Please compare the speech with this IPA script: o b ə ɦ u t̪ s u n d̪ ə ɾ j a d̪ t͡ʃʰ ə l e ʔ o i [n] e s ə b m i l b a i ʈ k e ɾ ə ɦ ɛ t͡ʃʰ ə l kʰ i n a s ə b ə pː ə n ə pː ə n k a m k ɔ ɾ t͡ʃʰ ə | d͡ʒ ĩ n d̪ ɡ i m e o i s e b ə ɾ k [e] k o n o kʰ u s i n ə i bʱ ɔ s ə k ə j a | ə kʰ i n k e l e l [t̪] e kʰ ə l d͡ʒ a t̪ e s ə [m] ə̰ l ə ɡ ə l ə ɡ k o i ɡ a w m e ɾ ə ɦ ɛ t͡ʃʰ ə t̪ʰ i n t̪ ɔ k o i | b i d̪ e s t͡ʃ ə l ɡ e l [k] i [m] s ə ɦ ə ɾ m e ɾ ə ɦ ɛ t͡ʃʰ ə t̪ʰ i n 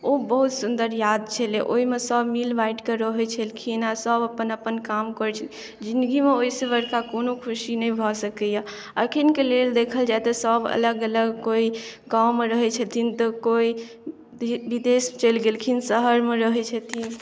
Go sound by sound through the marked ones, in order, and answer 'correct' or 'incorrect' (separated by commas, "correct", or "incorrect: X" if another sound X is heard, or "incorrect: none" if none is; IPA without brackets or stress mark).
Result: incorrect: m, incorrect: a, incorrect: d̪, incorrect: b, incorrect: kʰ, incorrect: n